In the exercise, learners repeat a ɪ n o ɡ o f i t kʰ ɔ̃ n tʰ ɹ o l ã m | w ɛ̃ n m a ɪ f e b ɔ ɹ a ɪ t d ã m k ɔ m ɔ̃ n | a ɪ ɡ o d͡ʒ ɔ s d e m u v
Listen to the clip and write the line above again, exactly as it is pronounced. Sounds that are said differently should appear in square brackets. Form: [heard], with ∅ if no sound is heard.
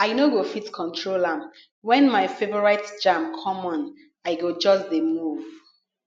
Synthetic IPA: a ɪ n o ɡ o f i t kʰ ɔ̃ n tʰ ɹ o l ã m | w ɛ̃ n m a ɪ f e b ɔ ɹ a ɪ t [d͡ʒ] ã m [kʰ] ɔ m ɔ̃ n | a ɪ ɡ o d͡ʒ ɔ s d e m u v

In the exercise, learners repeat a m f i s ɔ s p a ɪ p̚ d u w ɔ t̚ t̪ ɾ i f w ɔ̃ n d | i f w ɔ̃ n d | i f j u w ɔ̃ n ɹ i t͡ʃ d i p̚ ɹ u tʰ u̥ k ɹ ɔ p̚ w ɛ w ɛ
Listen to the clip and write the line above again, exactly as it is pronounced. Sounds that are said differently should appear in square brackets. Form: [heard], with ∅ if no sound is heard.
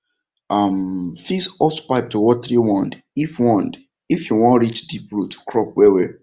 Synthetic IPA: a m f i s ɔ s p a ɪ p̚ [t] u w ɔ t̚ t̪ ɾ i [∅] w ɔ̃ n d | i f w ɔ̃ n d | i f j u w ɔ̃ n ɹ i t͡ʃ d i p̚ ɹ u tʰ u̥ k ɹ ɔ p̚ w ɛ w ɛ

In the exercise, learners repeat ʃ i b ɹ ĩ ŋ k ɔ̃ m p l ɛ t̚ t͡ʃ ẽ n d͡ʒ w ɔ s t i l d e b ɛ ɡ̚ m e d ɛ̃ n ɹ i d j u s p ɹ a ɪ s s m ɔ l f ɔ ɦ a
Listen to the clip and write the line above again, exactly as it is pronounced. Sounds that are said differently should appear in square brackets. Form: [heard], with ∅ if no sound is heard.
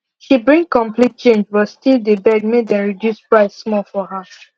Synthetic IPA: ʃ i b ɹ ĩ ŋ k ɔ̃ m p l [i] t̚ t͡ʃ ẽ n d͡ʒ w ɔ s t i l d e b ɛ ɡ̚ m e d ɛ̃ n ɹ i d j u s p ɹ a ɪ s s m ɔ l f ɔ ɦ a

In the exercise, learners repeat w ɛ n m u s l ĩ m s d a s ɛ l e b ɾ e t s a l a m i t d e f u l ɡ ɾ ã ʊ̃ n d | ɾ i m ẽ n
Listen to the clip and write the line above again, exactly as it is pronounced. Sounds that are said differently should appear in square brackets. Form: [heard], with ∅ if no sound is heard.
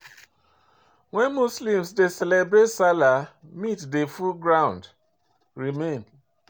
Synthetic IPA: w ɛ n m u s l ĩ m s d [e] s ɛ l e b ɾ e t s a l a m i t d e f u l ɡ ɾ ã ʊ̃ n d | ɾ i m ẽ n

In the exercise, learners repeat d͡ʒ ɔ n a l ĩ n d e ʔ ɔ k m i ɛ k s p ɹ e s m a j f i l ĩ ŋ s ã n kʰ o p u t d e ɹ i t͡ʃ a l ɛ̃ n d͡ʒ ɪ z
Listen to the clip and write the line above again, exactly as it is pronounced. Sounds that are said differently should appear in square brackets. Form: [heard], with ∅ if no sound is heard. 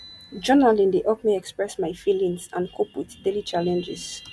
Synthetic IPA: d͡ʒ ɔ n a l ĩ n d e ʔ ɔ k m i ɛ k s p ɹ [ɛ] s m a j f i l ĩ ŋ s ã n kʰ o p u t d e [l] i t͡ʃ a l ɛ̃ n d͡ʒ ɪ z

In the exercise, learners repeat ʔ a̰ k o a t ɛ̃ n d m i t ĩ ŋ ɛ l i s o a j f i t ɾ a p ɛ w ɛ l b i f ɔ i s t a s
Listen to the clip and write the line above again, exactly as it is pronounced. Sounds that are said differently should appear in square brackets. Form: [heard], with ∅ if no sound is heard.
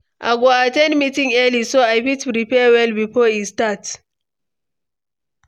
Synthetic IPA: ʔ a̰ [ɡ] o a t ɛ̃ n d m i t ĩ ŋ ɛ l i s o a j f i t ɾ [i] p ɛ w ɛ l b i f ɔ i s t a [t]

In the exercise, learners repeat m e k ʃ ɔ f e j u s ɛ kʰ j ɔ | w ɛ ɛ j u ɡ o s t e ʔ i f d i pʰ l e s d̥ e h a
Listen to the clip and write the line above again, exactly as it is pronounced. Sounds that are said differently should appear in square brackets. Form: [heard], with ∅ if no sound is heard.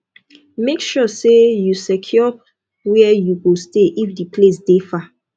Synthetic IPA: m e k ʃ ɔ [s] e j u s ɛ kʰ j ɔ | w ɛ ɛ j u ɡ o s t e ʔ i f d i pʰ l e s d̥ e [f] a

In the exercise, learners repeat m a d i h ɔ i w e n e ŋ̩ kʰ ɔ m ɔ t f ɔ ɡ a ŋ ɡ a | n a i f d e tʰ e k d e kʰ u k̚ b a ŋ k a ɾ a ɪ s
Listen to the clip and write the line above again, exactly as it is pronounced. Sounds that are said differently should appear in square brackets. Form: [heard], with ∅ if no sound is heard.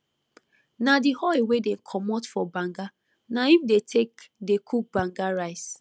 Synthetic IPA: [n] a d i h ɔ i w e [d] e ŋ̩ kʰ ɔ m ɔ t f ɔ [b] a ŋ ɡ a | n a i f d e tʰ e k d e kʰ u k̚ b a ŋ [ɡ] a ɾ a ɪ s

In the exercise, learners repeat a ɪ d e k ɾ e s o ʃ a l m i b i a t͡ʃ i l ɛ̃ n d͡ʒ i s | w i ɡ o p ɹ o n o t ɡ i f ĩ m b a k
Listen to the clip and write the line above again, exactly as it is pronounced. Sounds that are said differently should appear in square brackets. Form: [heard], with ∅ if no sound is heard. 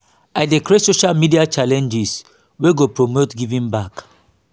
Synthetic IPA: a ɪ d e k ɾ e s o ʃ a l m i [d] i a t͡ʃ [a] l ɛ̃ n d͡ʒ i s | w [e] ɡ o p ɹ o [m] o t ɡ i [v] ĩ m b a k

